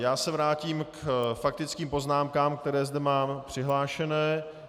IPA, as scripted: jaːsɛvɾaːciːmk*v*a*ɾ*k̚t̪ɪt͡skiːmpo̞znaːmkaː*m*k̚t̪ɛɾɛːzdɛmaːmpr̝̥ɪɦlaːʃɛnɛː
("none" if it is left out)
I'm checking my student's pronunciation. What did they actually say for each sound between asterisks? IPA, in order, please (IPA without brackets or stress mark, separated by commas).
f, none, m